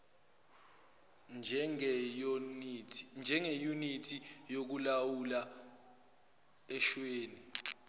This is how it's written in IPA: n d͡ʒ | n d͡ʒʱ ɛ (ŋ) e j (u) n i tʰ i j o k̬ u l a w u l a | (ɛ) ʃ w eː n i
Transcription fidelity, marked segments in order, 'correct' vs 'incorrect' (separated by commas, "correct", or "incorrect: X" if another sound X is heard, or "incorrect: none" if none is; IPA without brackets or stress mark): correct, correct, correct